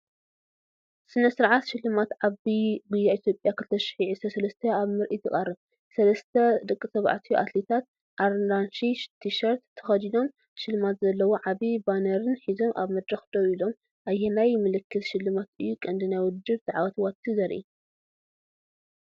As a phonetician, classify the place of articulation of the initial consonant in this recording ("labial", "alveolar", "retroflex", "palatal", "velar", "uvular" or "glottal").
alveolar